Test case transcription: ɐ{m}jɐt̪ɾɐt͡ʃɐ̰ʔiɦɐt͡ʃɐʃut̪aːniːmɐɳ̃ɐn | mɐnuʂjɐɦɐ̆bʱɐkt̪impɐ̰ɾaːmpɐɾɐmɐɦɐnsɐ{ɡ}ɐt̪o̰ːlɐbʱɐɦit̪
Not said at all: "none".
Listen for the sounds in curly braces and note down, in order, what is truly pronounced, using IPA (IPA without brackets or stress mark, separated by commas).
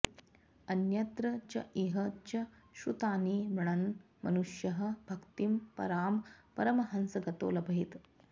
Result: n, ɡ